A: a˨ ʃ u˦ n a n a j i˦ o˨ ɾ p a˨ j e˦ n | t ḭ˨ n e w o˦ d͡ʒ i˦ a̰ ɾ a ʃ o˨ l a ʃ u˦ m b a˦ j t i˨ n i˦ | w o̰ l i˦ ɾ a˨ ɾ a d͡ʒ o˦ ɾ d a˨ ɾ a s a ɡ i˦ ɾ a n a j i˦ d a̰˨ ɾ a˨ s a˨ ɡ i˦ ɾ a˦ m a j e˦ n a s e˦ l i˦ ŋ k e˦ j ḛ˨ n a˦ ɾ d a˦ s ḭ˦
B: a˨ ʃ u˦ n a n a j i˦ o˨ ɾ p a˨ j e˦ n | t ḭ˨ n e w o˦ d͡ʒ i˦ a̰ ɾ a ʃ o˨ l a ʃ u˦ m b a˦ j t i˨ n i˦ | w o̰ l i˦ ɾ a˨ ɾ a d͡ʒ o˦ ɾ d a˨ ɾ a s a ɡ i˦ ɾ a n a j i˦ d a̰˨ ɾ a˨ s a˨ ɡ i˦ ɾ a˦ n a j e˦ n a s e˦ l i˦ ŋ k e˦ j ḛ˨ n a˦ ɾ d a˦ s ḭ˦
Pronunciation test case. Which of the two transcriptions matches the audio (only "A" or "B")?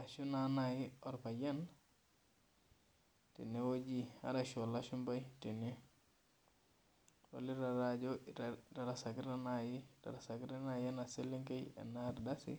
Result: B